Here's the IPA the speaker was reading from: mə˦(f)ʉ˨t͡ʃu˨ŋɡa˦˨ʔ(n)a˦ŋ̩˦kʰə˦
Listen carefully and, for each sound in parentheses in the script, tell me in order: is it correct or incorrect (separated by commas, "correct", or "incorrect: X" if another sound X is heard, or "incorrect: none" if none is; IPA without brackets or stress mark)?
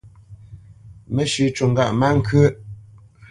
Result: incorrect: ʃ, incorrect: m